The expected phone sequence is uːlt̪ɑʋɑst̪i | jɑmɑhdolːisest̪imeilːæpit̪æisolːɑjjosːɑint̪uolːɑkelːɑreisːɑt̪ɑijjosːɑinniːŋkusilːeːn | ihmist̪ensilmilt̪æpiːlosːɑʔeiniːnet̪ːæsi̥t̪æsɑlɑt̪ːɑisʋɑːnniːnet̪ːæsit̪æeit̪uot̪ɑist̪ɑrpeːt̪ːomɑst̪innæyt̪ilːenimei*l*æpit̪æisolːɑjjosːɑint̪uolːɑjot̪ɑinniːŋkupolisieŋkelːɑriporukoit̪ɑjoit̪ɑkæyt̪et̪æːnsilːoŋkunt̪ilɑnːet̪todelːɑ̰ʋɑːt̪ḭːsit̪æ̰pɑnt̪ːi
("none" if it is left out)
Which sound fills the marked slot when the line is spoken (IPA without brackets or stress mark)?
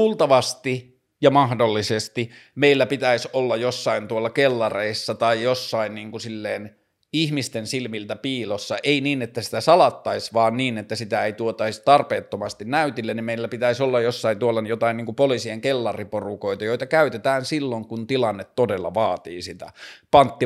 lː